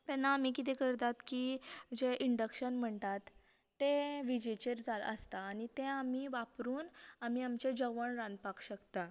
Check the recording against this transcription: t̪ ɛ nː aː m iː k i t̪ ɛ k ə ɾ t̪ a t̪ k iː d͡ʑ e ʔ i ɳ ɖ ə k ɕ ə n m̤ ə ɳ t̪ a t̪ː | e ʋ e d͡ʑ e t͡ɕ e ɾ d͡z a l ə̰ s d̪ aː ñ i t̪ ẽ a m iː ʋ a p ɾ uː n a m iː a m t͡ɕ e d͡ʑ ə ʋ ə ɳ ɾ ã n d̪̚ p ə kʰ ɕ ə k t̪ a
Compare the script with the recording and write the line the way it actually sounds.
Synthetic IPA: t̪ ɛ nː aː m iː k i t̪ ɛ k ə ɾ t̪ a t̪ k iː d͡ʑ e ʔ i ɳ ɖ ə k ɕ ə n m̤ ə ɳ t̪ a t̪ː | e ʋ i d͡ʑ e t͡ɕ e ɾ d͡z a l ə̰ s t̪ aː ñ i t̪ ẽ a m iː ʋ a p ɾ uː n a m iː a m t͡ɕ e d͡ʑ ə ʋ ə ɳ ɾ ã n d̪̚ p a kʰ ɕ ə k t̪ a